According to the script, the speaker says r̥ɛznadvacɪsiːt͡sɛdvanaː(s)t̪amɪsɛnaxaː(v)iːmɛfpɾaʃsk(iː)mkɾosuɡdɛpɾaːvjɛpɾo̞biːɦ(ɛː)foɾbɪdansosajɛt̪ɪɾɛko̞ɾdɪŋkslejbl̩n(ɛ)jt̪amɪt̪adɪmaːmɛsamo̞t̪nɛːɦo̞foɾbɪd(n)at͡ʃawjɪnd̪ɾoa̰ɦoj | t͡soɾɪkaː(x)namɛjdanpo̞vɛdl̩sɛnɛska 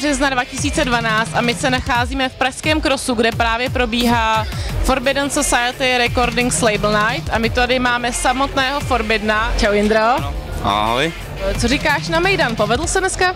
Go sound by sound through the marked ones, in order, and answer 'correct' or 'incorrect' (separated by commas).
incorrect, incorrect, incorrect, incorrect, incorrect, correct, incorrect